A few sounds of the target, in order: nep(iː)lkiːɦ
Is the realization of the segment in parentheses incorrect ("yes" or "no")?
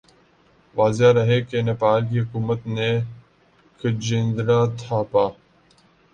yes